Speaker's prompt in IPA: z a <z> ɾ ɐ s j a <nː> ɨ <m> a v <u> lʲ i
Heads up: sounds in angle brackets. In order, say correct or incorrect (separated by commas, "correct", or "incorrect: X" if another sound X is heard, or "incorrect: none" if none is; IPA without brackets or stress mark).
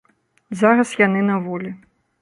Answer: incorrect: none, incorrect: n, incorrect: n, incorrect: ɔ